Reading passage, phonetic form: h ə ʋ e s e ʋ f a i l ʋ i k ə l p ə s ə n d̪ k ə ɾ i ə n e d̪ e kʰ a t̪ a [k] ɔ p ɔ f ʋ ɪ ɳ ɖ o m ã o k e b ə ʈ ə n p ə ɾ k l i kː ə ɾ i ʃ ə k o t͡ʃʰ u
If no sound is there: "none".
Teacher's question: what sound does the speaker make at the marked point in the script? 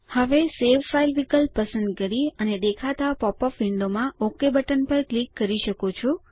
p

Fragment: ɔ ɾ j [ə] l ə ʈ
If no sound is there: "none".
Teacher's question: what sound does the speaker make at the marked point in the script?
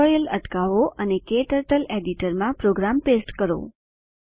ə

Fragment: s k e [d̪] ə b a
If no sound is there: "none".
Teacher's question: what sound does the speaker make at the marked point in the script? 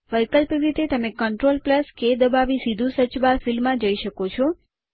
d̪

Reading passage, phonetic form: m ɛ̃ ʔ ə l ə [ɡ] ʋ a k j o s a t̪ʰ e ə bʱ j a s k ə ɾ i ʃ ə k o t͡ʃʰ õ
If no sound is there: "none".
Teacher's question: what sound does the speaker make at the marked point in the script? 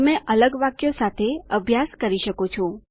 ɡ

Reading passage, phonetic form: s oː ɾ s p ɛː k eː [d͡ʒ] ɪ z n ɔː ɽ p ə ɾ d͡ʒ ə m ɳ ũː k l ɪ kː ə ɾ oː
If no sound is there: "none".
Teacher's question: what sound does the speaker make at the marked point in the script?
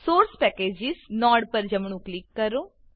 d͡ʒ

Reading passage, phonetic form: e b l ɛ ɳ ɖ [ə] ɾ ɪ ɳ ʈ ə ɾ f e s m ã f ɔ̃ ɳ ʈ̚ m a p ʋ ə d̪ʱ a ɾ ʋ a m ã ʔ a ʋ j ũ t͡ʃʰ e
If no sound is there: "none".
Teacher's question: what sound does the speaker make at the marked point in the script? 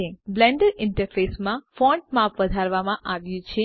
ə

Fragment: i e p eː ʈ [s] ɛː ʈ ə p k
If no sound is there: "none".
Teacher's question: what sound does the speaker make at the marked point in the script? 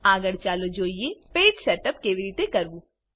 s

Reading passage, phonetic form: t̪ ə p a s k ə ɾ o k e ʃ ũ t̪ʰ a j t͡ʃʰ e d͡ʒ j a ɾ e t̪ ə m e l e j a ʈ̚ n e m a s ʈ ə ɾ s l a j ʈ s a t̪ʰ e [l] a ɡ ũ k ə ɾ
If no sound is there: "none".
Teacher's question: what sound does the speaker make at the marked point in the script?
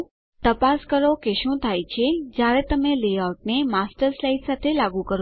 l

